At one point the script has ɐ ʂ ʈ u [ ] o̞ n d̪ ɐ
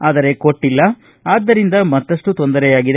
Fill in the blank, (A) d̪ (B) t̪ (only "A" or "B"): B